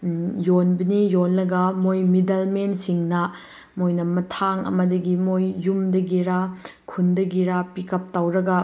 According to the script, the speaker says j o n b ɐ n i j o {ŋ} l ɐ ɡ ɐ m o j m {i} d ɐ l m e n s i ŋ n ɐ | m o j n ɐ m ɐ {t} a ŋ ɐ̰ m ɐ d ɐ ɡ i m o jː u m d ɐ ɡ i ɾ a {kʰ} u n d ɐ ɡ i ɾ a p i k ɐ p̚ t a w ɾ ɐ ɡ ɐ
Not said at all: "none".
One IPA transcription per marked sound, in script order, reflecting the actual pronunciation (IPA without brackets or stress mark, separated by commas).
n, i, tʰ, kʰ